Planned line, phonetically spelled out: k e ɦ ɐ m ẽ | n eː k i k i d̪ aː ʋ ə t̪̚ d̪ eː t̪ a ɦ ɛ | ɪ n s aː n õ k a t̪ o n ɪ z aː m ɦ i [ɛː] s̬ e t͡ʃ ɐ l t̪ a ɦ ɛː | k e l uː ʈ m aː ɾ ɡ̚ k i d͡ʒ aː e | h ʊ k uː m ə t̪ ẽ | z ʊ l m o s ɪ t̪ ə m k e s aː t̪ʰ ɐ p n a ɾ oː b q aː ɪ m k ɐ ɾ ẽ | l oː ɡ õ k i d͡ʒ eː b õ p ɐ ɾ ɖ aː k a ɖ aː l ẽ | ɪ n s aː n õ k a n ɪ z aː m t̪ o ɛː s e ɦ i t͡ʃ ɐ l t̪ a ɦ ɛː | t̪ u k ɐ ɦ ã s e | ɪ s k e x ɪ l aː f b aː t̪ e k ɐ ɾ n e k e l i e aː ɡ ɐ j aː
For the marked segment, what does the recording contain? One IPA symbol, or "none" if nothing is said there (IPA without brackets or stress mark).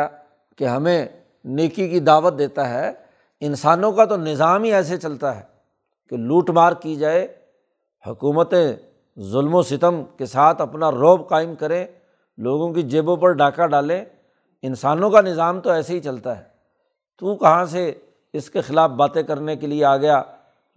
ɛː